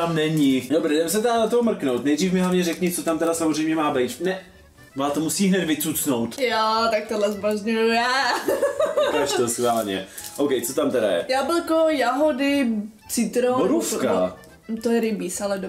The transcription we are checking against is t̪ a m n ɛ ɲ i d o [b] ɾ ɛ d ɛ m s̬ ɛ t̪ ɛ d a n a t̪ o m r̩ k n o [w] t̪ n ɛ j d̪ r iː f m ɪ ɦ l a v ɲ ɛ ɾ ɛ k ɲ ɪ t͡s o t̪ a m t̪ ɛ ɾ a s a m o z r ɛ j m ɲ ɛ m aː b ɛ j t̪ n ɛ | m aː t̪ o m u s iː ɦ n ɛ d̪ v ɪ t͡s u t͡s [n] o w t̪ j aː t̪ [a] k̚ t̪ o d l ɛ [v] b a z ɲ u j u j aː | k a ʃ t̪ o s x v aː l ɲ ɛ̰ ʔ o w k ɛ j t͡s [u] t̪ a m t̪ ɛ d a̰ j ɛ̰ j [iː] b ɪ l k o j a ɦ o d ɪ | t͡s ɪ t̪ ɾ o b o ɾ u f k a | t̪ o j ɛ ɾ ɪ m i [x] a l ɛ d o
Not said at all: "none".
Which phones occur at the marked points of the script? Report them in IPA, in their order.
b, w, n, a, z, o, aː, s

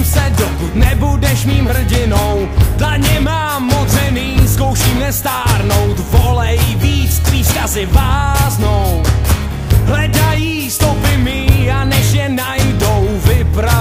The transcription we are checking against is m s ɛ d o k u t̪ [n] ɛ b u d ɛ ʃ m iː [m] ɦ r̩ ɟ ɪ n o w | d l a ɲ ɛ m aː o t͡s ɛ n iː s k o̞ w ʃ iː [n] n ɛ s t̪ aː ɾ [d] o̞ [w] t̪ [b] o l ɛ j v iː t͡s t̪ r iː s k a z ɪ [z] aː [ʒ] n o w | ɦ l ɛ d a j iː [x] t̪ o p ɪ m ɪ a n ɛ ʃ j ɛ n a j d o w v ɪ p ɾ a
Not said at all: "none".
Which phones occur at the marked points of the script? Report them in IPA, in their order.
n, m, m, n, w, v, v, z, s

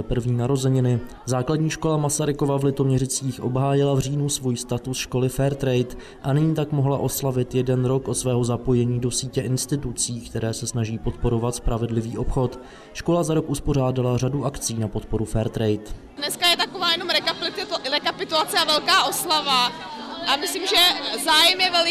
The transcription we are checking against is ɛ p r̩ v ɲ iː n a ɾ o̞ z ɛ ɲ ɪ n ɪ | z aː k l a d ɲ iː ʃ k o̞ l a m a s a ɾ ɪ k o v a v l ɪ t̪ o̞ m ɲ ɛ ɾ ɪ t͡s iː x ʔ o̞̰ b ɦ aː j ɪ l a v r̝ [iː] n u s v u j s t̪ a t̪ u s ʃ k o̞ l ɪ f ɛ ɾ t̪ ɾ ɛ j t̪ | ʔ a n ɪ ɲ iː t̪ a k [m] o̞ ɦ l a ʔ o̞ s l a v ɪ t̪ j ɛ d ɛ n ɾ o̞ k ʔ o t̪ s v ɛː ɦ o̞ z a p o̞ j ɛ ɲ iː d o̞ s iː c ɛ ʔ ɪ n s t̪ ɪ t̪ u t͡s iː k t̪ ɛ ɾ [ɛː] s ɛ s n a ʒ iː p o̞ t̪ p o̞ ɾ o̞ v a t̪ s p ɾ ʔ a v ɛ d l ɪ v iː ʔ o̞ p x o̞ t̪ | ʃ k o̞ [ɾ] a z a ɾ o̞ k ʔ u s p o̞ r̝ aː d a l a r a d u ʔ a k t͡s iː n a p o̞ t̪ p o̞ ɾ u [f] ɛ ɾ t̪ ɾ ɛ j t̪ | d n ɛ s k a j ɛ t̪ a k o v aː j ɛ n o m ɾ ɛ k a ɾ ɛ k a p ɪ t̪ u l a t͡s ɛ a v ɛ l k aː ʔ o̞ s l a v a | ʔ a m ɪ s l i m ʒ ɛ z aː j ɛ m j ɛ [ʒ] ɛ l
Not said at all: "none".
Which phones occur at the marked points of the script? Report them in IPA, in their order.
iː, m, ɛː, l, f, v

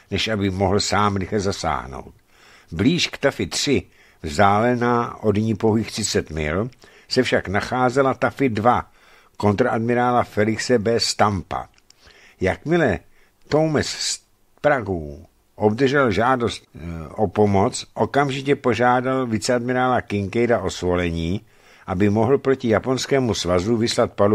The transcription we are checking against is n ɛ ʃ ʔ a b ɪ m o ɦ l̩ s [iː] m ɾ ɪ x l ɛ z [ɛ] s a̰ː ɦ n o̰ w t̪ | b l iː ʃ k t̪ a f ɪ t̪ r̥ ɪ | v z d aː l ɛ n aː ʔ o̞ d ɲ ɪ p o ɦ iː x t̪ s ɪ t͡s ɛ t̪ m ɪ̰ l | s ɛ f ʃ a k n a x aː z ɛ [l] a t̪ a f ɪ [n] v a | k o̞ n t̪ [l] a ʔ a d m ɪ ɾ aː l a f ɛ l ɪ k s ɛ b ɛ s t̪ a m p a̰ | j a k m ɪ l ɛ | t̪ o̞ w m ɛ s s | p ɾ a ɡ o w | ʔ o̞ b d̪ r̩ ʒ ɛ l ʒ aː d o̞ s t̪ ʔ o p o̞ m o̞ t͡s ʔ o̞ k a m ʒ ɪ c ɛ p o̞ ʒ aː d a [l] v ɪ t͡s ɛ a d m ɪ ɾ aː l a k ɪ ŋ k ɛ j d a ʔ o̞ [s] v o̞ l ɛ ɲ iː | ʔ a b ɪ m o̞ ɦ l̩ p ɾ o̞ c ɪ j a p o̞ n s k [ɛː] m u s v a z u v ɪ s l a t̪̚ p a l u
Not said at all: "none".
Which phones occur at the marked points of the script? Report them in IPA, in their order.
aː, a, l, d, ɾ, l, s, ɛː

